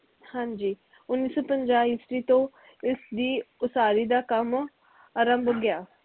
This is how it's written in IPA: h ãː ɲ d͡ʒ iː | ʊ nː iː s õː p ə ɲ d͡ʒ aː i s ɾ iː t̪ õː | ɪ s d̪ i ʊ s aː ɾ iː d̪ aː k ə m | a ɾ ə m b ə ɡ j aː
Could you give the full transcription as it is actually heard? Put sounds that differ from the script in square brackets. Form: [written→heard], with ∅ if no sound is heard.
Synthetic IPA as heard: h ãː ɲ d͡ʒ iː | ʊ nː iː s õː p ə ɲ d͡ʒ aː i s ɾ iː t̪ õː | ɪ s d̪ [i→iː] ʊ s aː ɾ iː d̪ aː k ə m | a ɾ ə m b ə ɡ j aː